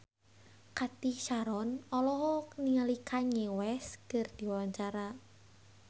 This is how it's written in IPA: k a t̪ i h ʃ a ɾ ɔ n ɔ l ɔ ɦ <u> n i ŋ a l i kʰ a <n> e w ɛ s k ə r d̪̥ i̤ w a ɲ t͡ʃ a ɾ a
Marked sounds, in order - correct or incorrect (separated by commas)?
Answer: incorrect, incorrect